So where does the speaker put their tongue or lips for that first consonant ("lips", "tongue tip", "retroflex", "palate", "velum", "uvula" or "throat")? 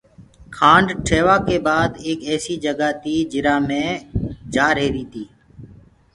velum